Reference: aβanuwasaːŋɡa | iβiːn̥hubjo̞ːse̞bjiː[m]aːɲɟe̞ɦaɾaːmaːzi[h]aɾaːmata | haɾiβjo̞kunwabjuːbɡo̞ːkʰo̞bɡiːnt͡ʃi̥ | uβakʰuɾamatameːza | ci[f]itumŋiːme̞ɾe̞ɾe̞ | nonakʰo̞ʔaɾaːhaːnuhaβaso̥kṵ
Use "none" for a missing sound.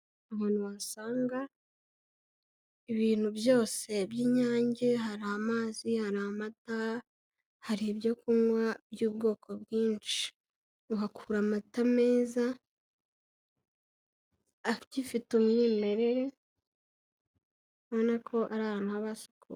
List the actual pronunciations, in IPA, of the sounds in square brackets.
ɲ, h, f

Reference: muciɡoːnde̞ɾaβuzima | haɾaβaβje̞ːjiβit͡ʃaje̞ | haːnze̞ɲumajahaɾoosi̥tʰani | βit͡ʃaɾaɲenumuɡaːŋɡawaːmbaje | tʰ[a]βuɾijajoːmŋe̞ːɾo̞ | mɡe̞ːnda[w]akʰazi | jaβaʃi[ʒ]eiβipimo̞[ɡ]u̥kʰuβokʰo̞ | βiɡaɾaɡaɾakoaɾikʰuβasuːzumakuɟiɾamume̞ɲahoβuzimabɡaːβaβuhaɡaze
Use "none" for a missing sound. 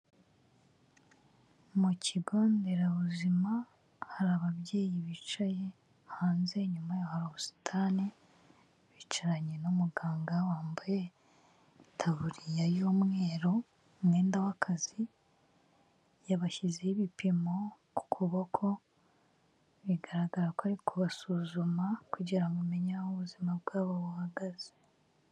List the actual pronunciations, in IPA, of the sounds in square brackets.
a, w, z, k

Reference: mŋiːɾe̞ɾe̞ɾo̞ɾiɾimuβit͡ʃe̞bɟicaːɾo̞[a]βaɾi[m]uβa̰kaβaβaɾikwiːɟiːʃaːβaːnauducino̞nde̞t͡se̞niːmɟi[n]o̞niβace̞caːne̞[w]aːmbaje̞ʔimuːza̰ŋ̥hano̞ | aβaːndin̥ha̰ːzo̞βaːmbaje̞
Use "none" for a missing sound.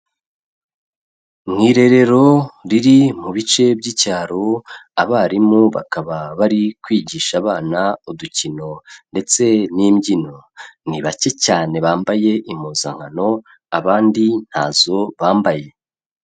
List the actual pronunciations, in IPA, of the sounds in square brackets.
a, m, n, β

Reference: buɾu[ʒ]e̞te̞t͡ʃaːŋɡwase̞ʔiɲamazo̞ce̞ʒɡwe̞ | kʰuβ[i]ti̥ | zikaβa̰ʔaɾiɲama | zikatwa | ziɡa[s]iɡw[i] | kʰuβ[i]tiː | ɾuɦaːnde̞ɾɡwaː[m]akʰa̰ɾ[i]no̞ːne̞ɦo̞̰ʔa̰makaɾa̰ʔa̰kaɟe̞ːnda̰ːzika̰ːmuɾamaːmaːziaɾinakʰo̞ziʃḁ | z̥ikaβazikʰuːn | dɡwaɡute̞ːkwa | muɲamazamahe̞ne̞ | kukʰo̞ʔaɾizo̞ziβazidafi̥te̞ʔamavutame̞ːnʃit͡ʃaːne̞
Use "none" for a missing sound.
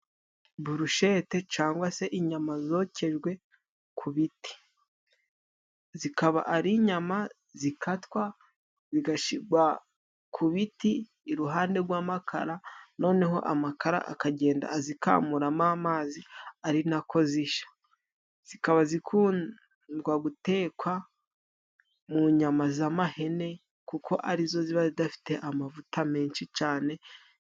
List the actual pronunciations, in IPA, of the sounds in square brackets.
ʃ, i, ʃ, a, i, m, a

